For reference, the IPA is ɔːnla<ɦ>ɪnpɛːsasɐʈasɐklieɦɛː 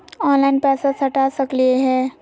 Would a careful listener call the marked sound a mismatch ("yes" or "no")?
yes